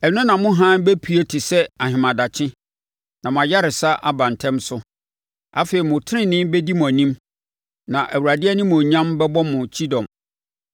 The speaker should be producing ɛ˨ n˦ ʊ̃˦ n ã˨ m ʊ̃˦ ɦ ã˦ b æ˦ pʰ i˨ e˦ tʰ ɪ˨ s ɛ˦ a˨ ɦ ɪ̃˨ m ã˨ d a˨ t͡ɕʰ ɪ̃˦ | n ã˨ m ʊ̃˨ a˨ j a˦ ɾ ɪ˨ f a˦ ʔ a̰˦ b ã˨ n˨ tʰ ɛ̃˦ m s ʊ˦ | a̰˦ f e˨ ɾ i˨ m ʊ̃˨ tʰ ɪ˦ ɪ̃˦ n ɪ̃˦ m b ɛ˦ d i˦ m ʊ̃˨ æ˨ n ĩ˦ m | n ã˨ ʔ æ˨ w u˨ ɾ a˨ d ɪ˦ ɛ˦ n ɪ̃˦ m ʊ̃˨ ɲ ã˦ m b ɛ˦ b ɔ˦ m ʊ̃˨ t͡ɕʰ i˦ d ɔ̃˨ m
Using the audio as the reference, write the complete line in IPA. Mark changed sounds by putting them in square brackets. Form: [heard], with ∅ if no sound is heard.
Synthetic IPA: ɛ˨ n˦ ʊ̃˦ n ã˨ m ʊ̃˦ ɦ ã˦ b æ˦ pʰ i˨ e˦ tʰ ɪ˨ s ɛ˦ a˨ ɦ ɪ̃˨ m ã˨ d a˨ t͡ɕʰ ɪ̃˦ | n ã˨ m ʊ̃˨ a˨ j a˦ ɾ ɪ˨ [s] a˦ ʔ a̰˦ b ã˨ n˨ tʰ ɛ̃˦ m s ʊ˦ | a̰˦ f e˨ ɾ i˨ m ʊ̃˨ tʰ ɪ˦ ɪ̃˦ n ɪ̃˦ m b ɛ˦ d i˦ m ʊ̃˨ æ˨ n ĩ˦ m | n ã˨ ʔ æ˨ w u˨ ɾ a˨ d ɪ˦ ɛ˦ n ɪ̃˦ m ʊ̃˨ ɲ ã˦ m b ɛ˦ b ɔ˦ m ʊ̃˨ t͡ɕʰ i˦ d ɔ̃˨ m